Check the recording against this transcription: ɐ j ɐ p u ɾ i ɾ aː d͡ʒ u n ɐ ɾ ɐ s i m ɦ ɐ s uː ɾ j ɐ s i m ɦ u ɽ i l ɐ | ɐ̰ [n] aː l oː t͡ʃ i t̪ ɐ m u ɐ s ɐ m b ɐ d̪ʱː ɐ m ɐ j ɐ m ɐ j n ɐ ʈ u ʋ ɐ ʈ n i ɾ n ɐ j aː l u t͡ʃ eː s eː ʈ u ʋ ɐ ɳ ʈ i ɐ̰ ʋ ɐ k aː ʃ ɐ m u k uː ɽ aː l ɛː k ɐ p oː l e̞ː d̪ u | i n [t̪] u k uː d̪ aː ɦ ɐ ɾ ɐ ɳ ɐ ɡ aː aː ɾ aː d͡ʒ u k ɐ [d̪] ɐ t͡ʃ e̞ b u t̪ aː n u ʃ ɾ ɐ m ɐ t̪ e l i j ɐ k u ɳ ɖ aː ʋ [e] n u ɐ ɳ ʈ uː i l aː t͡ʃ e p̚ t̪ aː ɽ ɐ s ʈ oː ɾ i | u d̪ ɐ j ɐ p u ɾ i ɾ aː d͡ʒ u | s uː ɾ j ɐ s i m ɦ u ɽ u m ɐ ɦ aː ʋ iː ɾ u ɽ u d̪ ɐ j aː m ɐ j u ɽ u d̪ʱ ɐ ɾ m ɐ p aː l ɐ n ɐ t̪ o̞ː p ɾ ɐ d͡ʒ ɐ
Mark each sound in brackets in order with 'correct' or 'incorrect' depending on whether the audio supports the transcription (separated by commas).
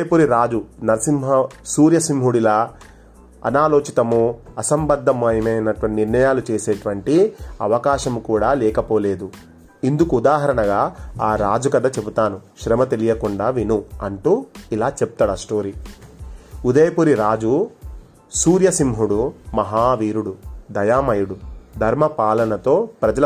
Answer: correct, incorrect, correct, incorrect